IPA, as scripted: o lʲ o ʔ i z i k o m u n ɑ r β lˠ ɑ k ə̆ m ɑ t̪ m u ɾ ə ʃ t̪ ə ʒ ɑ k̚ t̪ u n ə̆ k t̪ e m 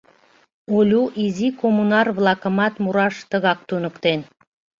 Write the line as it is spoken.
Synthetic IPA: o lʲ u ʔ i z i k o m u n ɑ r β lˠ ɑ k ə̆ m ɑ t̪ m u ɾ ɑ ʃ t̪ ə ɣ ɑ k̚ t̪ u n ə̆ k t̪ e n